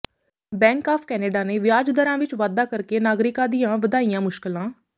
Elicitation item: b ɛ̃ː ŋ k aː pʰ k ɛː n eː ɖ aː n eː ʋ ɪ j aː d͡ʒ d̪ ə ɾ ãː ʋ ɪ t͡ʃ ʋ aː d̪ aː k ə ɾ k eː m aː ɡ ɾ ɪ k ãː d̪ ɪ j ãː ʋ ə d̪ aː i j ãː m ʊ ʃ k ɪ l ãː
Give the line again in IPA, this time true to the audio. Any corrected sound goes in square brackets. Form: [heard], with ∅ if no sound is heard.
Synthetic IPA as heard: b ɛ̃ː ŋ k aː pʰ k ɛː n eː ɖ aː n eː ʋ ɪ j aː d͡ʒ d̪ ə ɾ ãː ʋ ɪ t͡ʃ ʋ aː d̪ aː k ə ɾ k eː [n] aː ɡ ɾ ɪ k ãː d̪ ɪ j ãː ʋ ə d̪ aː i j ãː m ʊ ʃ k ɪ l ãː